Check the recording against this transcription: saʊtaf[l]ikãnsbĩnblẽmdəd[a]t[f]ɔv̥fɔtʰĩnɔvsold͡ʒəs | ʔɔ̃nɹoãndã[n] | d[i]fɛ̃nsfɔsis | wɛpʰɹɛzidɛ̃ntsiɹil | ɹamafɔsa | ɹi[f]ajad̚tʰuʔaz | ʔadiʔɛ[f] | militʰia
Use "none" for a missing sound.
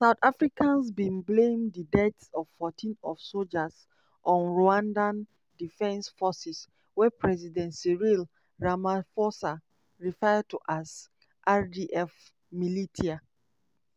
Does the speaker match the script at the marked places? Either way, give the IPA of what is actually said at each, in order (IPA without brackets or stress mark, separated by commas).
ɹ, ɛ, s, n, i, f, f